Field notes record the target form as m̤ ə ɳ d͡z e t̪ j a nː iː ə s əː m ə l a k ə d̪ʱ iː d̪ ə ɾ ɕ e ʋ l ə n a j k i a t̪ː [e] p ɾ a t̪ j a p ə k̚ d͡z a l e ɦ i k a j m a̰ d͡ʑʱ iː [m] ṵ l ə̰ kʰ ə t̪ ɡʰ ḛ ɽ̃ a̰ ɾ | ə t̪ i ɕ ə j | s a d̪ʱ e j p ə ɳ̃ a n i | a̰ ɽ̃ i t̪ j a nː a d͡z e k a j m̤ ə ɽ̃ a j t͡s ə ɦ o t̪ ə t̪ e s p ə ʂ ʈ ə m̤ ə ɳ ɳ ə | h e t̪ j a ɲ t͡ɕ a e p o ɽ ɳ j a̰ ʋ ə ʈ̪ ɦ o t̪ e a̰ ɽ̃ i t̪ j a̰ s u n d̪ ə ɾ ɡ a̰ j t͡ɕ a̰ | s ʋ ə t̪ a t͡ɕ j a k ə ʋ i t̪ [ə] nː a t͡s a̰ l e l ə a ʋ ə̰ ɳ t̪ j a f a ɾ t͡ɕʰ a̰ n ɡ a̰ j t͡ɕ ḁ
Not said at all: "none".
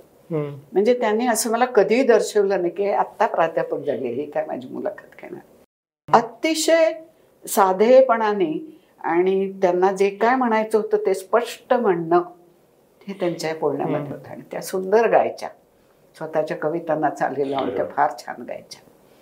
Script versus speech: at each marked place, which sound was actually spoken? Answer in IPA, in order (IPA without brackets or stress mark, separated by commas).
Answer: a, m, a